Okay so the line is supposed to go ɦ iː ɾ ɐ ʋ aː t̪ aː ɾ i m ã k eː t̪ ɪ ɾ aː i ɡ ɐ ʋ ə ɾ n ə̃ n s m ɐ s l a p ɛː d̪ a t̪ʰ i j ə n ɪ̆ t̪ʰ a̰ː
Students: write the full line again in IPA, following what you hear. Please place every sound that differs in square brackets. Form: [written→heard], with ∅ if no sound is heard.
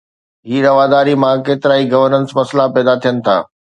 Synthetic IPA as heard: ɦ iː ɾ ɐ ʋ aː [t̪→d̪] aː ɾ i m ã k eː t̪ ɪ ɾ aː i ɡ ɐ ʋ ə ɾ n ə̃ n s m ɐ s l a p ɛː d̪ a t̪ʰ i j ə n ɪ̆ t̪ʰ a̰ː

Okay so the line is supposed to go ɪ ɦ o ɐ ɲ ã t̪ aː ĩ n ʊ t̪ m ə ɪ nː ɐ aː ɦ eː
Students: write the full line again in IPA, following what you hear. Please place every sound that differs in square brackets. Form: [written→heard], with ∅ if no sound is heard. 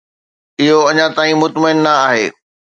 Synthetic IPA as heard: ɪ ɦ o ɐ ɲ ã t̪ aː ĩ [n→m] ʊ t̪ m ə ɪ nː ɐ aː ɦ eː

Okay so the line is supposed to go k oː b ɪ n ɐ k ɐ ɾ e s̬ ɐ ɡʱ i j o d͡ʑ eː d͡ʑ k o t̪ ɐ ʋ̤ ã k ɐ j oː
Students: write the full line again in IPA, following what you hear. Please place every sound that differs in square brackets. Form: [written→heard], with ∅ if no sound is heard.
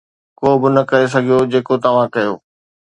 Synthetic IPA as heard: k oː b ɪ n ɐ k ɐ ɾ e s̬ ɐ ɡʱ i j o d͡ʑ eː [d͡ʑ→∅] k o t̪ ɐ ʋ̤ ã k ɐ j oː

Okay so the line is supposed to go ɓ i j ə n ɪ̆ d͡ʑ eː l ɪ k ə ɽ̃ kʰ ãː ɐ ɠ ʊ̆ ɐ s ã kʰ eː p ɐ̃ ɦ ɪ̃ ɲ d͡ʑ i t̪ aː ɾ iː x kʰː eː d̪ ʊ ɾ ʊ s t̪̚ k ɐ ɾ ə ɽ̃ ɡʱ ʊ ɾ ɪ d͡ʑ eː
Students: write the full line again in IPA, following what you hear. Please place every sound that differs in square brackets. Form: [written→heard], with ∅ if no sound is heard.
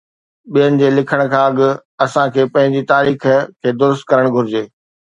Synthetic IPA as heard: ɓ i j ə n ɪ̆ d͡ʑ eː l ɪ [k→kʰ] ə ɽ̃ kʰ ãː ɐ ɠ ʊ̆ ɐ s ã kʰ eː p ɐ̃ ɦ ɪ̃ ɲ d͡ʑ i t̪ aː ɾ iː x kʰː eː d̪ ʊ ɾ ʊ s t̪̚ k ɐ ɾ ə ɽ̃ ɡʱ ʊ ɾ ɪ d͡ʑ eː

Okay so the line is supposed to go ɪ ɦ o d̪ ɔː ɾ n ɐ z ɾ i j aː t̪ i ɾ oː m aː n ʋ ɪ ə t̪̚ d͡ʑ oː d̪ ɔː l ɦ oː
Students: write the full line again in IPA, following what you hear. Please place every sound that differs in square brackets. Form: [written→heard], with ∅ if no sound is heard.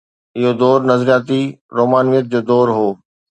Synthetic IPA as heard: ɪ ɦ o d̪ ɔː ɾ n ɐ z ɾ i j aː t̪ i ɾ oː m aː n ʋ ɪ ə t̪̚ d͡ʑ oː d̪ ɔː [l→ɾ] ɦ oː

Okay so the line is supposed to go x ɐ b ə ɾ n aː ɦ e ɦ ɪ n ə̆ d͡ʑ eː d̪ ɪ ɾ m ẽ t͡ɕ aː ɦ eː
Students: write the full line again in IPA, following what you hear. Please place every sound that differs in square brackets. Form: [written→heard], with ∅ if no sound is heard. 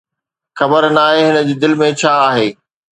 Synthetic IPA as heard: x ɐ b ə ɾ n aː ɦ e ɦ ɪ n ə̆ d͡ʑ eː d̪ ɪ [ɾ→l] m ẽ [t͡ɕ→t͡ɕʰ] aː ɦ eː

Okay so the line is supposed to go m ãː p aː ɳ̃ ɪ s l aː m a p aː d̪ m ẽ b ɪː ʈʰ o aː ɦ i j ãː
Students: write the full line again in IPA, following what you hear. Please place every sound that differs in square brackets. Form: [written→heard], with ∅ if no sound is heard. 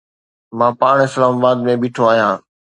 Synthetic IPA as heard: m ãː p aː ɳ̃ ɪ s l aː m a [p→b] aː d̪ m ẽ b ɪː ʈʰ o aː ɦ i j ãː

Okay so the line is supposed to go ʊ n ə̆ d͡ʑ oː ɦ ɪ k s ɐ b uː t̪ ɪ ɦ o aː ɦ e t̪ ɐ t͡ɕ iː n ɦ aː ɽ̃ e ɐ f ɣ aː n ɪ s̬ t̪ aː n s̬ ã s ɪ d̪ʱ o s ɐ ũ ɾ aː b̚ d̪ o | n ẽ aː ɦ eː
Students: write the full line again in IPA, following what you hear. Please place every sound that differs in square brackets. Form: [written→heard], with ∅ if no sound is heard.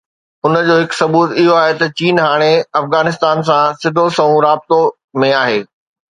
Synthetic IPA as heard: ʊ n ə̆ d͡ʑ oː ɦ ɪ k s ɐ b uː t̪ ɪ ɦ o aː ɦ e t̪ ɐ t͡ɕ iː n ɦ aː ɽ̃ e ɐ f ɣ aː n ɪ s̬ t̪ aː n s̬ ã s ɪ d̪ʱ o s ɐ ũ ɾ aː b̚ [d̪→t̪] o | [n→m] ẽ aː ɦ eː

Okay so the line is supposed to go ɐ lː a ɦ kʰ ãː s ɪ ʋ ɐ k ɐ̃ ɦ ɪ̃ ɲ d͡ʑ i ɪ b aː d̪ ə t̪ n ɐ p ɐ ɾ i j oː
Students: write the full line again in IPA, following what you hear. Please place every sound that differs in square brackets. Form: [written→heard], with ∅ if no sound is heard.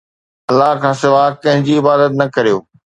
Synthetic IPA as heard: ɐ lː a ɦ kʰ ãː s ɪ ʋ [ɐ→a] k ɐ̃ ɦ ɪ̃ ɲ d͡ʑ i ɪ b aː d̪ ə t̪ n ɐ [p→k] ɐ ɾ i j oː

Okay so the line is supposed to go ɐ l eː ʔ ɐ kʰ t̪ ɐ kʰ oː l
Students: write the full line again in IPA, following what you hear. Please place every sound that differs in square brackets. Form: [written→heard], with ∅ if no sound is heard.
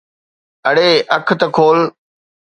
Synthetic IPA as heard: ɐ [l→ɽ] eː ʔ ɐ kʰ t̪ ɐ kʰ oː l

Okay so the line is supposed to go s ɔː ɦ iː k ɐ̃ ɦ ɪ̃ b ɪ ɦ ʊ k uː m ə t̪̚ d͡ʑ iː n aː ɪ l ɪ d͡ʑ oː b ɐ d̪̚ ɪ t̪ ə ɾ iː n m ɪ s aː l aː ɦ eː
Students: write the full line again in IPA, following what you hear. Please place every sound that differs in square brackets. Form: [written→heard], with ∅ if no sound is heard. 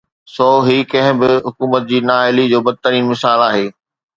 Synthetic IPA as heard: s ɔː ɦ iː k ɐ̃ ɦ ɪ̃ b ɪ ɦ ʊ k uː m ə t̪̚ d͡ʑ iː n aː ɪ l [ɪ→i] d͡ʑ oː b ɐ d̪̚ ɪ t̪ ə ɾ iː n m ɪ s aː l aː ɦ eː

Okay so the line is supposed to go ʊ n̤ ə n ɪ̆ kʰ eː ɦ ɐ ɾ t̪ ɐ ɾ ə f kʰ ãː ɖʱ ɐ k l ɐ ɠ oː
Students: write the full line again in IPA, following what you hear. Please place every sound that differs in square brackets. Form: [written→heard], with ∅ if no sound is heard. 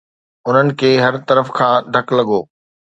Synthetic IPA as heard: ʊ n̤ ə n ɪ̆ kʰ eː ɦ ɐ ɾ t̪ ɐ ɾ ə f kʰ ãː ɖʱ ɐ k l ɐ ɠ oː

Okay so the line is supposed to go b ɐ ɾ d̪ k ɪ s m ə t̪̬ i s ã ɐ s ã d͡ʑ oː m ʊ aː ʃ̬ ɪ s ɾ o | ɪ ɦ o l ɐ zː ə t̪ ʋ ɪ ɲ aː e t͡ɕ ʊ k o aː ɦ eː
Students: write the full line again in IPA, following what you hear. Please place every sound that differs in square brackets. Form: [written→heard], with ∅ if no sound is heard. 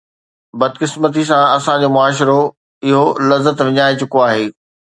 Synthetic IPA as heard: b ɐ [ɾ→∅] d̪ k ɪ s m ə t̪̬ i s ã ɐ s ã d͡ʑ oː m ʊ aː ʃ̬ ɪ [s→∅] ɾ o | ɪ ɦ o l ɐ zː ə t̪ ʋ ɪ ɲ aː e t͡ɕ ʊ k o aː ɦ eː

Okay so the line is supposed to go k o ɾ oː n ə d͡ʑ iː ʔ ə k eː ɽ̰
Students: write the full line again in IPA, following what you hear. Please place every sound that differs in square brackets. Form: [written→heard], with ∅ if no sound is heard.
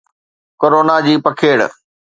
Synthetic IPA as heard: k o ɾ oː n [ə→a] d͡ʑ iː [ʔ→p] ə [k→kʰ] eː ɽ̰

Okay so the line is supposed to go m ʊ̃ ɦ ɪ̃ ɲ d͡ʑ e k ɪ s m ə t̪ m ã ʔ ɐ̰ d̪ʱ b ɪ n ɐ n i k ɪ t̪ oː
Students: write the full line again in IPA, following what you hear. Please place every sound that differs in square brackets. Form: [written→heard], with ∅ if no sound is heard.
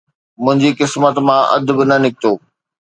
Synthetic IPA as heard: m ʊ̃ ɦ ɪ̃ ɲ d͡ʑ [e→i] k ɪ s m ə t̪ m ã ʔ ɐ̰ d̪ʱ b ɪ n ɐ n [i→ɪ] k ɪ t̪ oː

